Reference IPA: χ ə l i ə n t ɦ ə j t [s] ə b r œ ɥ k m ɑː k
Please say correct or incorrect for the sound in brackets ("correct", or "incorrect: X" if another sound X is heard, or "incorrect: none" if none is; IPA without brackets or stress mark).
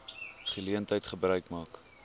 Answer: incorrect: χ